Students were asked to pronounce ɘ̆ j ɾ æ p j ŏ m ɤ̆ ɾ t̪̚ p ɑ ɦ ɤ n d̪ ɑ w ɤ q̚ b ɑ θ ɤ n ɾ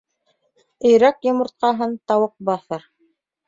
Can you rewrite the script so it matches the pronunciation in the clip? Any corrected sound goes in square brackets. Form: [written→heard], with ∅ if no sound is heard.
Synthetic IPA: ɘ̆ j ɾ æ [p→k] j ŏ m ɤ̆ ɾ t̪̚ [p→q] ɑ ɦ ɤ n [d̪→t̪] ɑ w ɤ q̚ b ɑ θ ɤ [n→∅] ɾ